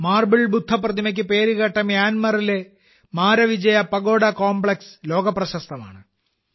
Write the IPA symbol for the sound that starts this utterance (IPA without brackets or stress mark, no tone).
m